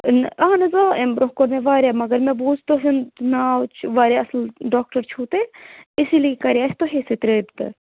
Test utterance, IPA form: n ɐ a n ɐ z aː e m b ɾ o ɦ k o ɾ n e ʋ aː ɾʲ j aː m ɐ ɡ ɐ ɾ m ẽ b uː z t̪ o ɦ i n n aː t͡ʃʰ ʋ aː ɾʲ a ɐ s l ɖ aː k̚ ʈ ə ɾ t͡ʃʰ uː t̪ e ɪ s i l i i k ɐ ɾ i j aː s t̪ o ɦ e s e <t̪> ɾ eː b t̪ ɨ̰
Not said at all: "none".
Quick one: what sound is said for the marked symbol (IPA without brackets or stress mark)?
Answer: t̪